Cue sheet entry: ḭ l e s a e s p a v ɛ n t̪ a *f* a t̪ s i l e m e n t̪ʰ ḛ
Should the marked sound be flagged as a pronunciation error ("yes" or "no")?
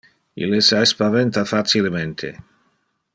no